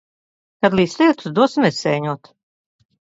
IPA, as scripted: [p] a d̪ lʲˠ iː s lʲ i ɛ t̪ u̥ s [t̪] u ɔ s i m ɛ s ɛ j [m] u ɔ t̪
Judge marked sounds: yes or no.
no, no, no

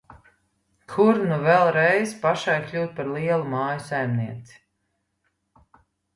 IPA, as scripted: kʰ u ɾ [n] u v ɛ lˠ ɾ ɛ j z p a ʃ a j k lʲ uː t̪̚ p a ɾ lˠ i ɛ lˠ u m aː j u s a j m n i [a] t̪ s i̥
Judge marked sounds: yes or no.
yes, no

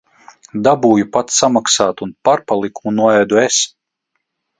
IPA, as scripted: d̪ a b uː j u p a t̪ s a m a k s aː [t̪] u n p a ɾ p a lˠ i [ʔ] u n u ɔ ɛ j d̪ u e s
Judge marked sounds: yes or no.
yes, no

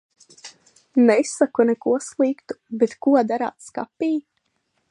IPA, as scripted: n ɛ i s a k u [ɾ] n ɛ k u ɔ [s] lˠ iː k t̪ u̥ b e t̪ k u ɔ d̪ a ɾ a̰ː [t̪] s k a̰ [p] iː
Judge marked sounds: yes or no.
no, yes, yes, yes

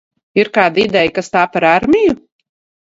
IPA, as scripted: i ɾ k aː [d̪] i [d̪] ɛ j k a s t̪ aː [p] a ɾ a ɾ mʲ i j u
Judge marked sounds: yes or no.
yes, yes, yes

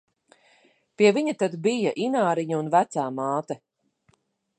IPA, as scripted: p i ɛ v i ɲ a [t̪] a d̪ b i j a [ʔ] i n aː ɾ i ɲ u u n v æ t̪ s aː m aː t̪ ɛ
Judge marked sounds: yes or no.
yes, yes

